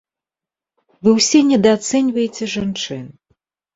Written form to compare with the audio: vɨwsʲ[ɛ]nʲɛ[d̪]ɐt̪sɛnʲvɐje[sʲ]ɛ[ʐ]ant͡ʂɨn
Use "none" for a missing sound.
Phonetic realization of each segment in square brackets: ɛ, d̪, t͡sʲ, ʐ

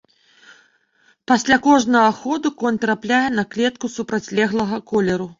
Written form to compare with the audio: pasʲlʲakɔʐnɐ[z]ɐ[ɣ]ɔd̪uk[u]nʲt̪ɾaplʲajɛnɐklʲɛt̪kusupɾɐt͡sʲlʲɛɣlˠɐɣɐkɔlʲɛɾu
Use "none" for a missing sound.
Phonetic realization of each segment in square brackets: ɣ, x, ɔ

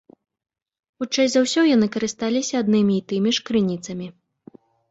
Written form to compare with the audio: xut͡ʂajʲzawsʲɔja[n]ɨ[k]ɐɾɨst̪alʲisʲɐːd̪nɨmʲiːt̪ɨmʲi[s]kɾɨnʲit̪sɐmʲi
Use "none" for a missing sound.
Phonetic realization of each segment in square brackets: n, k, ʂ

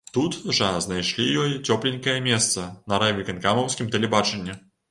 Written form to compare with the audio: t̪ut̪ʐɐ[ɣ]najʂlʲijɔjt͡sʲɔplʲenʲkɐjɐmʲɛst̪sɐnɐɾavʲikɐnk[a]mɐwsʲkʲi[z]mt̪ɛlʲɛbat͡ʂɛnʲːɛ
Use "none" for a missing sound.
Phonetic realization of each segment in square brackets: z, a, none

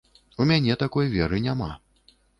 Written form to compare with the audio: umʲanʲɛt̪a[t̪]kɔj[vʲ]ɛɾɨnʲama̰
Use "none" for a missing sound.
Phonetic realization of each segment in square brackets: none, vʲ

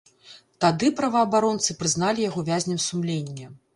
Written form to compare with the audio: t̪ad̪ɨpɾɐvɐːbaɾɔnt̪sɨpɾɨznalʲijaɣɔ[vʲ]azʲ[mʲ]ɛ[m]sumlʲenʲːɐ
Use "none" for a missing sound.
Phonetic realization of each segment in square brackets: vʲ, nʲ, m

